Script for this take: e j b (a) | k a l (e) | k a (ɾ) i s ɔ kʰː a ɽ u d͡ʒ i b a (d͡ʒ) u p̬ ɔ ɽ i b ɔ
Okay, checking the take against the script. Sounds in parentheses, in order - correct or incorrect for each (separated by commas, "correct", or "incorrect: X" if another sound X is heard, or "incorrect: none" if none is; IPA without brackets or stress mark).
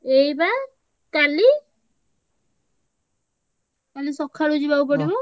correct, incorrect: i, incorrect: l, incorrect: none